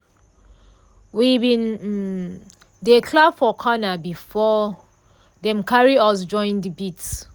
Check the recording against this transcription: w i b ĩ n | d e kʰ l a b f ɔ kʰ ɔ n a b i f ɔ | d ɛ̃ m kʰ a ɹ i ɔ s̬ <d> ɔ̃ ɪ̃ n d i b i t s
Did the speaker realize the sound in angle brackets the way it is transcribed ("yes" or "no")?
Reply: no